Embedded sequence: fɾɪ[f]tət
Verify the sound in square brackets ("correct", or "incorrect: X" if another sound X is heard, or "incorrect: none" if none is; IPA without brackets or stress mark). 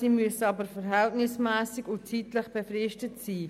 incorrect: ʃ